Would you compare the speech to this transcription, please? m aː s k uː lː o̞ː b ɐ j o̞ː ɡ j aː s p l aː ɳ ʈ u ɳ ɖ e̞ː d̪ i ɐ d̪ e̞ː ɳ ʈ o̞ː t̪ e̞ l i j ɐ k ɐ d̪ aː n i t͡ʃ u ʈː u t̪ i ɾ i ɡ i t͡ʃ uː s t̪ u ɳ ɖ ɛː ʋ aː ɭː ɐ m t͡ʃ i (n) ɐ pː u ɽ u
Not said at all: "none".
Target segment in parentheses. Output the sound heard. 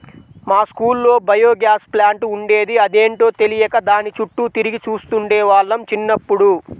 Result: nː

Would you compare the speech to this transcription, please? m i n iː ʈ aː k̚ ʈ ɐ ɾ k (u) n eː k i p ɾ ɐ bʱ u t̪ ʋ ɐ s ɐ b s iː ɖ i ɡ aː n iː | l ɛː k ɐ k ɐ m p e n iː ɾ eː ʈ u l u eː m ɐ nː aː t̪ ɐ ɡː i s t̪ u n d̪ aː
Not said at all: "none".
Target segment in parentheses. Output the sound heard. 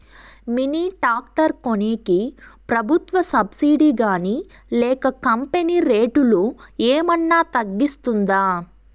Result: o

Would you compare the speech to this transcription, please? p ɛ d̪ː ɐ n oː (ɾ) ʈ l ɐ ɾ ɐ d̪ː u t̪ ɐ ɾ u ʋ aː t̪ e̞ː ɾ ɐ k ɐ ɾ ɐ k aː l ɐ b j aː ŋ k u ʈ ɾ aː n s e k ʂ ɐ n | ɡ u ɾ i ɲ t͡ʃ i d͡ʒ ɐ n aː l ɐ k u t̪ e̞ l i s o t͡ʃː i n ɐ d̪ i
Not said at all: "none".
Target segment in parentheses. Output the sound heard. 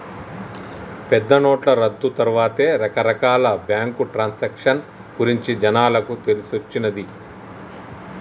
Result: none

